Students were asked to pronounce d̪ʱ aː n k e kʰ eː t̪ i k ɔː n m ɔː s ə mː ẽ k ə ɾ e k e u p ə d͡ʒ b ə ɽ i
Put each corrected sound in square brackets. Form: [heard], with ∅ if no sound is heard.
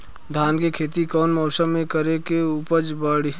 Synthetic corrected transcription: d̪ʱ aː n k e kʰ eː t̪ i k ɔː n m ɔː s ə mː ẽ k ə ɾ e k e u p ə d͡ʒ b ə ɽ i